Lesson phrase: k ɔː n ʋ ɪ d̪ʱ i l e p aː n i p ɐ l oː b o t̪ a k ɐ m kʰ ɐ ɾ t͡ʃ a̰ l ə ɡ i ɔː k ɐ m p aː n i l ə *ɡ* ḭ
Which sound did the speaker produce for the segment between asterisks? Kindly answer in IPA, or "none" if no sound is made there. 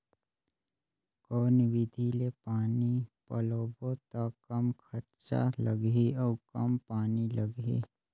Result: ɡ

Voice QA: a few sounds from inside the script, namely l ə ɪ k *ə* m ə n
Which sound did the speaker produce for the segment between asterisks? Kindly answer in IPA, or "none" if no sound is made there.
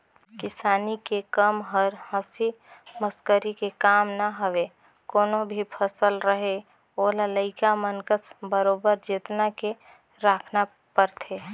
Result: a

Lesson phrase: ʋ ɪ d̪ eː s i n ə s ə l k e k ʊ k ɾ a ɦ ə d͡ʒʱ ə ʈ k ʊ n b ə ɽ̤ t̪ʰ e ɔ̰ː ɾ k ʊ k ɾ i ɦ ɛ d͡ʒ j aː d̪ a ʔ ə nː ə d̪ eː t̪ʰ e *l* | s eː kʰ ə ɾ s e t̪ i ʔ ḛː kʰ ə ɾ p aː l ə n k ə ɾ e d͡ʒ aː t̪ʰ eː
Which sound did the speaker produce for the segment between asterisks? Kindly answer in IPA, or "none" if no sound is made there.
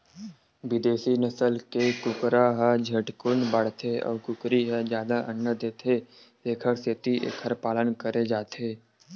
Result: none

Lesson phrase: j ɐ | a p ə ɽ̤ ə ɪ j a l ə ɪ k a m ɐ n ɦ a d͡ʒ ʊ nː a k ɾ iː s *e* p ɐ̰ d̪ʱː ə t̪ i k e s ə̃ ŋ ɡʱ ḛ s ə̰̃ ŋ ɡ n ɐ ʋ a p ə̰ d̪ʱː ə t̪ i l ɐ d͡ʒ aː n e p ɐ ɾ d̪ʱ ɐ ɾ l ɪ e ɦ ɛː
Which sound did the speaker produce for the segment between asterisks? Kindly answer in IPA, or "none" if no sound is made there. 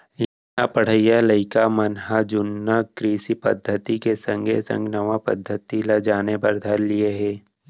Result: i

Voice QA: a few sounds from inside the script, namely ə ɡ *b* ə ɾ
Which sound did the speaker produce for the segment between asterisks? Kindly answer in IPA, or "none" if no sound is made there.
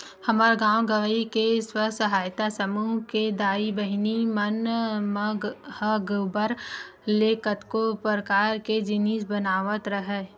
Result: b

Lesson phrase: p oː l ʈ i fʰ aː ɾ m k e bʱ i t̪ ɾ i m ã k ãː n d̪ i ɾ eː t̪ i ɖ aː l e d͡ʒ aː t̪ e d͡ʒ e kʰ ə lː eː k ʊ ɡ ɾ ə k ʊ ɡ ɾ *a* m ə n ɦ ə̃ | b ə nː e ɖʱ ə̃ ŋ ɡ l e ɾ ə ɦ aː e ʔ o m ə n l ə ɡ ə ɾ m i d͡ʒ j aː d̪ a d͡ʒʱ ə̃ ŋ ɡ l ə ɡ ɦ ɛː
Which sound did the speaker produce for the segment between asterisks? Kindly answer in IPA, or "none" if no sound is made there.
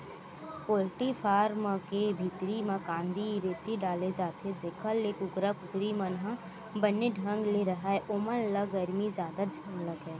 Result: i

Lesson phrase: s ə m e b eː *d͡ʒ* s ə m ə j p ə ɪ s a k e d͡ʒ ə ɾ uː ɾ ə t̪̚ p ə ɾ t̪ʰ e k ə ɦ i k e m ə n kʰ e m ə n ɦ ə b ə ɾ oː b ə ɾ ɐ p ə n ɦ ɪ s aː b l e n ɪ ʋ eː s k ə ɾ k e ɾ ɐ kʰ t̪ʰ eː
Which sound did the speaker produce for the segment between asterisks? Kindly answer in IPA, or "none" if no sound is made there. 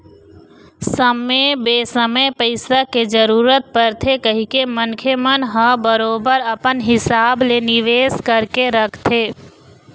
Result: none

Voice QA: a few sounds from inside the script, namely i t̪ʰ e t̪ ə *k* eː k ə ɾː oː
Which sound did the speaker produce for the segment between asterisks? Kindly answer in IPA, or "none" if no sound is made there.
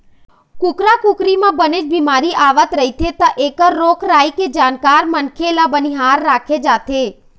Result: ʔ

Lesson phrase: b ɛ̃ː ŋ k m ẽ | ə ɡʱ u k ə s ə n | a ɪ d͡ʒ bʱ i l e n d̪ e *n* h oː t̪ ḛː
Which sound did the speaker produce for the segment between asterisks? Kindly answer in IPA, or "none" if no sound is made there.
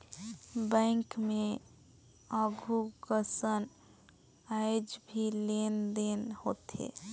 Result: n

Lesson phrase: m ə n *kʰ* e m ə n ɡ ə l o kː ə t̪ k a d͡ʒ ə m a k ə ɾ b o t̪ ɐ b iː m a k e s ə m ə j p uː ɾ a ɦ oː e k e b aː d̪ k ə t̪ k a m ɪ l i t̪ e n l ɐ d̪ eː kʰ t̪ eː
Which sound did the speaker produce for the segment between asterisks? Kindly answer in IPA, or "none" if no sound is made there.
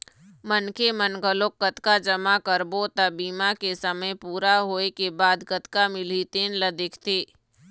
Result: k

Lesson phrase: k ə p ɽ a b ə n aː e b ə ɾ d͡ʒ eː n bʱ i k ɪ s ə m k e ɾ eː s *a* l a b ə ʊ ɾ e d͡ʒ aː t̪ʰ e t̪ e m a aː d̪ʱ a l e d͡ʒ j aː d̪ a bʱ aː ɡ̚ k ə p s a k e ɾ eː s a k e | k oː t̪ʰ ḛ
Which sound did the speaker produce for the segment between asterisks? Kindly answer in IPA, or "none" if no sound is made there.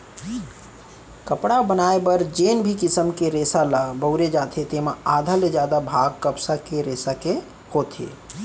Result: a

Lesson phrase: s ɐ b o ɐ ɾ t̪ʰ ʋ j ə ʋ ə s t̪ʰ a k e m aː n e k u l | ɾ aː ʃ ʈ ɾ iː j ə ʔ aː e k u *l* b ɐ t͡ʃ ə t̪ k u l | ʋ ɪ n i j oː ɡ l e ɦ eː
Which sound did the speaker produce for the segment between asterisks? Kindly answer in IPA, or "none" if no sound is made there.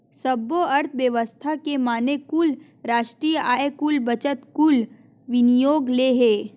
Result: l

